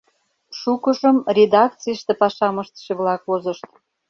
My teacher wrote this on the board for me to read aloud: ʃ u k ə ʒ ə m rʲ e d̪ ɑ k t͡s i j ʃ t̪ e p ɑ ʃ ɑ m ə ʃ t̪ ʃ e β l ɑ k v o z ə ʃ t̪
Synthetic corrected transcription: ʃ u k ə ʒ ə m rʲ e d̪ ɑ k t͡s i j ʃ t̪ e p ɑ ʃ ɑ m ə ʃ t̪ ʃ e β l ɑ k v o z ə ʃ t̪